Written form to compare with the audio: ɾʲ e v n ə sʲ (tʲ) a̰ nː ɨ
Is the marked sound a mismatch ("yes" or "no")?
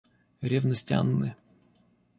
no